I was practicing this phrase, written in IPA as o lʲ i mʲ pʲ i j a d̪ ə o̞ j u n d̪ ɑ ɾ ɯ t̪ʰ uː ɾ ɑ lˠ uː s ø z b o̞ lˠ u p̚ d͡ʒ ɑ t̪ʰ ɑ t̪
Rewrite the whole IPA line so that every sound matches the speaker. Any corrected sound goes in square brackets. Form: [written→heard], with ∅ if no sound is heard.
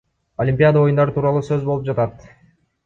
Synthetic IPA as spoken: o lʲ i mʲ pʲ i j a d̪ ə o̞ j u n d̪ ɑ ɾ ɯ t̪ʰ uː ɾ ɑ lˠ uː s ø z b o̞ lˠ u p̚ d͡ʒ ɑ [t̪ʰ→t̪] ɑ t̪